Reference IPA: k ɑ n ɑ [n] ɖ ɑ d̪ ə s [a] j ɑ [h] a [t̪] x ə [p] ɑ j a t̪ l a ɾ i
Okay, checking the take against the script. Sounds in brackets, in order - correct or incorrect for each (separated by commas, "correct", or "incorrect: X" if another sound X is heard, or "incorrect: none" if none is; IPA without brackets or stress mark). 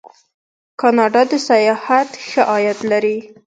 incorrect: none, correct, correct, correct, incorrect: ʔ